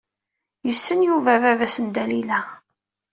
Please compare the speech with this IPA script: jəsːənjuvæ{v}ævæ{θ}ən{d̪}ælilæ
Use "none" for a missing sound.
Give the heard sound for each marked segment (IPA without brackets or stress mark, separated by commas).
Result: v, s, d̪